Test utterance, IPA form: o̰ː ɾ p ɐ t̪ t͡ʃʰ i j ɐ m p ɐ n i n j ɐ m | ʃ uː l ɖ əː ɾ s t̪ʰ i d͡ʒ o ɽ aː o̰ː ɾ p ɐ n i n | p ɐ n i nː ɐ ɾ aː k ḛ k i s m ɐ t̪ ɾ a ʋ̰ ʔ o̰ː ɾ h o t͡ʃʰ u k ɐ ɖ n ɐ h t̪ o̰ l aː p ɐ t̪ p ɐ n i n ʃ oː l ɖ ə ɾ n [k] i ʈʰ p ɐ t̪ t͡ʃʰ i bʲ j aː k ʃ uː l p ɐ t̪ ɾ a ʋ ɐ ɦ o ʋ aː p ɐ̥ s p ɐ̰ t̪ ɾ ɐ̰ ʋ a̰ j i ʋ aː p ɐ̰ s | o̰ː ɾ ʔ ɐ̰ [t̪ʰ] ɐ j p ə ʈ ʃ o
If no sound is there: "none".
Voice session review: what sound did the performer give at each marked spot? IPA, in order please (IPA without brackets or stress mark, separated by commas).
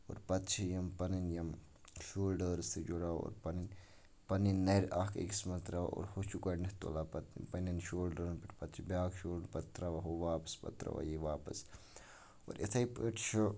p, t̪ʰ